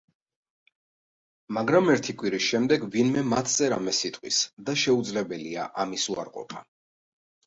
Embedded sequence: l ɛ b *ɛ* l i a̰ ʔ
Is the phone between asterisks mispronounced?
no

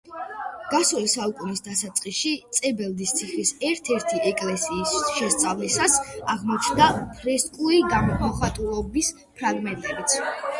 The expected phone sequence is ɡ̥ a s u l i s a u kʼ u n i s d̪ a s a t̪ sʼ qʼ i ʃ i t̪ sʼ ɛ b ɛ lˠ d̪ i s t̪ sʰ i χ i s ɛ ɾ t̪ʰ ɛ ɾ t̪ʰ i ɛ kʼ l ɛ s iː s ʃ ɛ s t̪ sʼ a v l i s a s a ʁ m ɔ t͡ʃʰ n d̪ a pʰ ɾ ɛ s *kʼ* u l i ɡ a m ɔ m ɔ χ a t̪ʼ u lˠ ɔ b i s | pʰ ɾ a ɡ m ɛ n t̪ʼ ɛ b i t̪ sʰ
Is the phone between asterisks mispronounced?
no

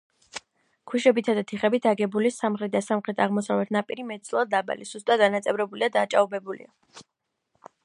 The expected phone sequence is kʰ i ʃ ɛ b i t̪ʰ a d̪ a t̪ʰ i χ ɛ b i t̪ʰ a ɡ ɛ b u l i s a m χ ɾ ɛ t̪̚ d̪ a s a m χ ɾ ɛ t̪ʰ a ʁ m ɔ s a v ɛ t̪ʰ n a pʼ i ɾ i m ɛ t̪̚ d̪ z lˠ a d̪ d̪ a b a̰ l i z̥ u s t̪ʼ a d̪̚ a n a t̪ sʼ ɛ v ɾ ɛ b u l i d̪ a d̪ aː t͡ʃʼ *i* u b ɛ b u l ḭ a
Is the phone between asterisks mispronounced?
yes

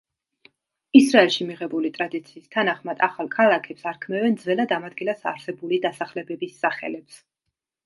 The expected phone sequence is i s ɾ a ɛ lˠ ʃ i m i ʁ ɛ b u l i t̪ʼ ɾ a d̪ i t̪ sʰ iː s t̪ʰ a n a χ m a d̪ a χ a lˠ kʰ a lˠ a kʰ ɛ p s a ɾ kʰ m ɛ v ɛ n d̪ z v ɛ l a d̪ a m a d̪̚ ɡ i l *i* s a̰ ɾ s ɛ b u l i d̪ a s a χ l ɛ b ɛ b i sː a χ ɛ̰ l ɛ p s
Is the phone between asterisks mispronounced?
yes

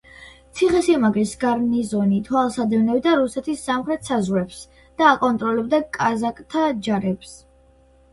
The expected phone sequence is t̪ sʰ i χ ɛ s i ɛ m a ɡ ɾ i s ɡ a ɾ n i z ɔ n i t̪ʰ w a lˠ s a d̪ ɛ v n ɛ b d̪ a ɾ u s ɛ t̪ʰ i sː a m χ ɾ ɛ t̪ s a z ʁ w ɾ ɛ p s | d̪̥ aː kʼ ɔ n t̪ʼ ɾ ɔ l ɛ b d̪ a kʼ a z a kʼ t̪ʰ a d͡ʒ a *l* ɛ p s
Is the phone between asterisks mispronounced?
yes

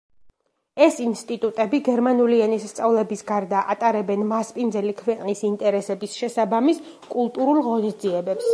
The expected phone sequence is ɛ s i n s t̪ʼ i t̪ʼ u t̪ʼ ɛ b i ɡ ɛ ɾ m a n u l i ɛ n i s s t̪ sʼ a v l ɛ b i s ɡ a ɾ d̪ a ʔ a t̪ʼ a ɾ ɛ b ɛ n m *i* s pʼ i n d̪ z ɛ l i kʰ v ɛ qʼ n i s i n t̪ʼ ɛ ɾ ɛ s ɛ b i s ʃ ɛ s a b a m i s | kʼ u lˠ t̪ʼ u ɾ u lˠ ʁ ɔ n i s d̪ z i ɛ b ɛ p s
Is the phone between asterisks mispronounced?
yes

